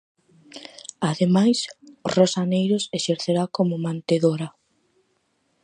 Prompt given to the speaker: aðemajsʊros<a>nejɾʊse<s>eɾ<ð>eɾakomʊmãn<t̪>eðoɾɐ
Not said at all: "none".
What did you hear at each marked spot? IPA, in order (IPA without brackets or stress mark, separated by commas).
a, ʃ, θ, t̪